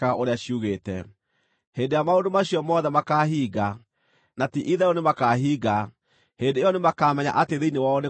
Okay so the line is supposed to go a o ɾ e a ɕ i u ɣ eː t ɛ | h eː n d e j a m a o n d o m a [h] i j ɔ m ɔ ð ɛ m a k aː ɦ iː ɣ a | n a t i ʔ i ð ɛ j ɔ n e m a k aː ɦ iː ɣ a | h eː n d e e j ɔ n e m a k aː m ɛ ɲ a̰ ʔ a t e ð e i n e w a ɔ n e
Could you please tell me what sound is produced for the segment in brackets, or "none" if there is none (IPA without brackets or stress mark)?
ɕ